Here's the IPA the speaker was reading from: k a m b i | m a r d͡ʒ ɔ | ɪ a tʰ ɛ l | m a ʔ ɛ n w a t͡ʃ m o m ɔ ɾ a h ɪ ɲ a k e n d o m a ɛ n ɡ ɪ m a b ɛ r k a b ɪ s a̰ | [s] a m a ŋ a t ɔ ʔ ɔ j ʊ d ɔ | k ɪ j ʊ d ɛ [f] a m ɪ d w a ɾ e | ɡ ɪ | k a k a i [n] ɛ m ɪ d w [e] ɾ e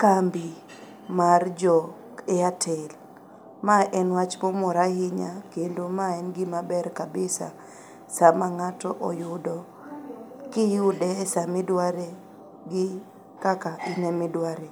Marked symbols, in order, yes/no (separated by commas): yes, no, yes, no